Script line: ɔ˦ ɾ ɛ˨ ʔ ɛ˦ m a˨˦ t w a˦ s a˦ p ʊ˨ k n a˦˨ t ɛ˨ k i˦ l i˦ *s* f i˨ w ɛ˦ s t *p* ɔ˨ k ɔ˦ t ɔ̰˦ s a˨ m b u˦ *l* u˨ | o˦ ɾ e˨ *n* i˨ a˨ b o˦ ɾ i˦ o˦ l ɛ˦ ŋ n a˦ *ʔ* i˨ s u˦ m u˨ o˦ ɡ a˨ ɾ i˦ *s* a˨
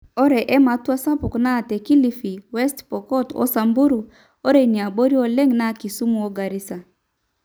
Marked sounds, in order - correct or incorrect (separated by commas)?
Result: incorrect, correct, incorrect, correct, incorrect, correct